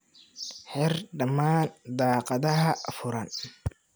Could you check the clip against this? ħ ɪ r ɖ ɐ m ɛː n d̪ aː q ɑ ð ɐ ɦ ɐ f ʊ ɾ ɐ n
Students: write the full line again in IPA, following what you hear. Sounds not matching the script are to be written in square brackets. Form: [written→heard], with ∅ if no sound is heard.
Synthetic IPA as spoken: ħ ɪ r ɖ ɐ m [ɛː→aː] n d̪ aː q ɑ ð ɐ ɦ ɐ f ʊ ɾ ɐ n